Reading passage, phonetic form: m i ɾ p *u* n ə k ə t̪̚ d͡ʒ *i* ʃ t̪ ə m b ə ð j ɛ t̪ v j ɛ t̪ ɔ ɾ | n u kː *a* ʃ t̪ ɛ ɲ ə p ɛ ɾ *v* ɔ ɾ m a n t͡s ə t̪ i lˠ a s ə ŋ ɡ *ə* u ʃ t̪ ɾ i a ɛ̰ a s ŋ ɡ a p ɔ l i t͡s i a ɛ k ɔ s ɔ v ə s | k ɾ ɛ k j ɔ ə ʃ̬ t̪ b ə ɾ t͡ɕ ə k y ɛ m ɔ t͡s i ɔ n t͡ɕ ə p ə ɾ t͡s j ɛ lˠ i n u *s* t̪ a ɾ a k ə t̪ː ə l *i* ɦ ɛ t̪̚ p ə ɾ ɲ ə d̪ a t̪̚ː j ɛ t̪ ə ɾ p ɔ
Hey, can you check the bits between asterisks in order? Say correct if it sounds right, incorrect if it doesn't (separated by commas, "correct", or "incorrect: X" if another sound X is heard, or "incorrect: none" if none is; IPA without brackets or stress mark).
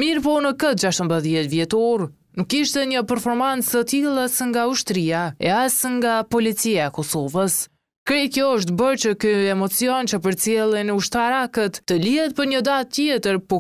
incorrect: ɔ, incorrect: a, incorrect: i, incorrect: f, incorrect: a, incorrect: ʃ, correct